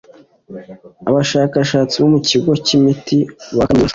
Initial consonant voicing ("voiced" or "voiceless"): voiced